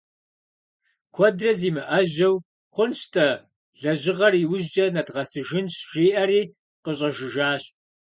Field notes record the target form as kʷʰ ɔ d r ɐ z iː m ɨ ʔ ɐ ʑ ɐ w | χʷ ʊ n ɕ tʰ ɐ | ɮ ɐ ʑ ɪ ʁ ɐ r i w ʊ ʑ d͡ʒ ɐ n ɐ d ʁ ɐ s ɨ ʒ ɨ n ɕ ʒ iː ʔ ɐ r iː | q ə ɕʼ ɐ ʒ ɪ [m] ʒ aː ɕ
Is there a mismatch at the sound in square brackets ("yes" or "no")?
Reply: yes